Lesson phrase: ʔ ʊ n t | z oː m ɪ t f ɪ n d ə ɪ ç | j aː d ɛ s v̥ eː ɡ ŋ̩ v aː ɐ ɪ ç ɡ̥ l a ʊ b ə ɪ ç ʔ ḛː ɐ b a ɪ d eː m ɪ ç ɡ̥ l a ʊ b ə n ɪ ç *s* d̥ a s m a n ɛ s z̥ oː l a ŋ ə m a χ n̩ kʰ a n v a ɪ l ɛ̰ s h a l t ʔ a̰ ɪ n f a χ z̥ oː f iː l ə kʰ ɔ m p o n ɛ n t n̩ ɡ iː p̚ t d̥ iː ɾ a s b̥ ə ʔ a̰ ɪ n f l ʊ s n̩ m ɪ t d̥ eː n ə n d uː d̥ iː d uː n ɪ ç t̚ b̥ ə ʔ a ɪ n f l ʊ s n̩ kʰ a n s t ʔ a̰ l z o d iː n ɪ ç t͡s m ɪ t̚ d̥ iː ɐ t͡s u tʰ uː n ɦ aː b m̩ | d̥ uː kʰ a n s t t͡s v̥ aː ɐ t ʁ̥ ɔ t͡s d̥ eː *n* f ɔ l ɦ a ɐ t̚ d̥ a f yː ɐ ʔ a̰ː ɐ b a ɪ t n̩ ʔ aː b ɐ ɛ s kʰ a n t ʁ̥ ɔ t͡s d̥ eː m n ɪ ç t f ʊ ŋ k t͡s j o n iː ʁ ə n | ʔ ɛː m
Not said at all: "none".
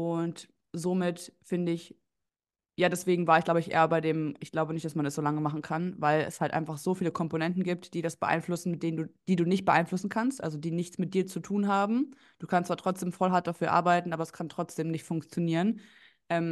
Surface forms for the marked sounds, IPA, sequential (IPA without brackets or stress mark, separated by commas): t, m